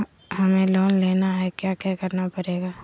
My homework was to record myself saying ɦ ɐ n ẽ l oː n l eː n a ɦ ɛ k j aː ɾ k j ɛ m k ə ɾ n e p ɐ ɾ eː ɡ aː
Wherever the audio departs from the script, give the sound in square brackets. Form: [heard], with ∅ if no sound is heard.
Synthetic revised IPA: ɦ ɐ [m] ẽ l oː n l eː n a ɦ ɛ k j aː [∅] k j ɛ [∅] k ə ɾ n [a] p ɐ ɾ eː ɡ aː